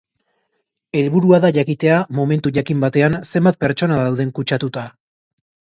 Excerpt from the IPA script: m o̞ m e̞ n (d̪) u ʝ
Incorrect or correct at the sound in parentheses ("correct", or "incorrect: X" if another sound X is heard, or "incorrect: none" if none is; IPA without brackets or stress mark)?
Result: incorrect: t̪